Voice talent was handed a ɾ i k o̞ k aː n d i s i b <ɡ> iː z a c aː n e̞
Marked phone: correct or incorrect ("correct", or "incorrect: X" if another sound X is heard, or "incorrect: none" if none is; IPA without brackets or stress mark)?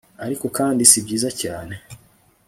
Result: incorrect: ɟ